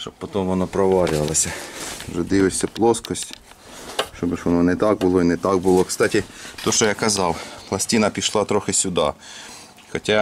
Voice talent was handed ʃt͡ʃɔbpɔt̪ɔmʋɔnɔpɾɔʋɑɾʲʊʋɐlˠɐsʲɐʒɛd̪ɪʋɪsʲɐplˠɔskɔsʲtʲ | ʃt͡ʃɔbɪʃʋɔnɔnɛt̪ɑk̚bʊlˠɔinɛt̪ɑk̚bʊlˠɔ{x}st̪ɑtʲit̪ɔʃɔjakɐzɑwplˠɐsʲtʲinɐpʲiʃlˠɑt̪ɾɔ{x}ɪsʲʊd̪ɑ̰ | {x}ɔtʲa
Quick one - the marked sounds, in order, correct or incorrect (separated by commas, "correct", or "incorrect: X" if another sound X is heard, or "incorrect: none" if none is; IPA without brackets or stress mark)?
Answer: incorrect: k, correct, correct